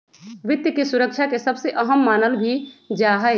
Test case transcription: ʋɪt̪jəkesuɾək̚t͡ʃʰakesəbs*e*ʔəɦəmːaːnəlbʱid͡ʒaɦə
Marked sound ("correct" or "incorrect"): correct